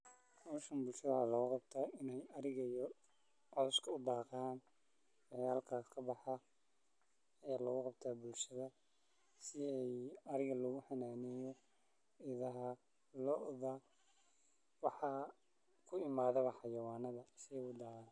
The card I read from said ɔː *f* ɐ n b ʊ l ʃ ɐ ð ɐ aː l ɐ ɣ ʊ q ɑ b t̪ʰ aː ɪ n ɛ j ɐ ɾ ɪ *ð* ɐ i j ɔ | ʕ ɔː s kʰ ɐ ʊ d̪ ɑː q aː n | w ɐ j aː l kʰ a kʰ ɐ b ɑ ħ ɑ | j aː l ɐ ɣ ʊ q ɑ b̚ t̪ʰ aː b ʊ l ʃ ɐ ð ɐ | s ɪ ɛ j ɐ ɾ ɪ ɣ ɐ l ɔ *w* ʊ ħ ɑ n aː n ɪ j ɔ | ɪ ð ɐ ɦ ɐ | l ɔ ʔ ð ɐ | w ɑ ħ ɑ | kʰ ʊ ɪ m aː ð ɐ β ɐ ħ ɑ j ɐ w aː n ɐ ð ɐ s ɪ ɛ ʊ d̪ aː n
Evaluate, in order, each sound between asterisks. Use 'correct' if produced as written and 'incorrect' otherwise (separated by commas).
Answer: incorrect, incorrect, incorrect